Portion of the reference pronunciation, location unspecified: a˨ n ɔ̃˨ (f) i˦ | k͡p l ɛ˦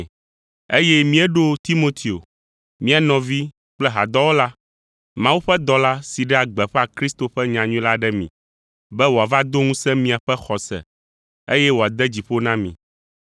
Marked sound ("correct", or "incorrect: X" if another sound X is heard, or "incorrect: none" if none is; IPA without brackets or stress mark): incorrect: v